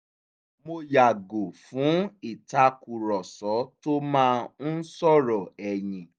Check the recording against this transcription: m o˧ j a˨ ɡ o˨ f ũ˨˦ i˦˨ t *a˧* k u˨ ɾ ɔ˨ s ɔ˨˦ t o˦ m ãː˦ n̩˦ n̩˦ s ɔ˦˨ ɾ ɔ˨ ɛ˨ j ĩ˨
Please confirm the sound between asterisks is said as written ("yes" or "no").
yes